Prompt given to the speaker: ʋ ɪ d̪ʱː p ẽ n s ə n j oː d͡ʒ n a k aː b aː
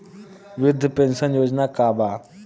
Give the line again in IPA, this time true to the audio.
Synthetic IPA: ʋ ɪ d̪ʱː p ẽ n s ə n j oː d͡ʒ n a k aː b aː